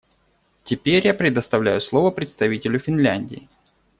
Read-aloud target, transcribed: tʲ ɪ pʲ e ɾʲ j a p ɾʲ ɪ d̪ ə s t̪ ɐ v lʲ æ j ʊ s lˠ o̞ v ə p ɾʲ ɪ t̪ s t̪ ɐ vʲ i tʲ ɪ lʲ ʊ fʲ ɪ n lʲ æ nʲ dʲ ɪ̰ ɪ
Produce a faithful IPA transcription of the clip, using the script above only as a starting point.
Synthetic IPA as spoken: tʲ ɪ pʲ e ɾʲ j a p ɾʲ ɪ d̪ ə s t̪ ɐ v lʲ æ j ʊ s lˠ o̞ v ə p ɾʲ ɪ t̪ s t̪ ɐ vʲ i tʲ ɪ lʲ ʊ fʲ ɪ n lʲ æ nʲ dʲ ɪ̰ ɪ